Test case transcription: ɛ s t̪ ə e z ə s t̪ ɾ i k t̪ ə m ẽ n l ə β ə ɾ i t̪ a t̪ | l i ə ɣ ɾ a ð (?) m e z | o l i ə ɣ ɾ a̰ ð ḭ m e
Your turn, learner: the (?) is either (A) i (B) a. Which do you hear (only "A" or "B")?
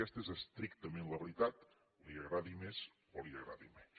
A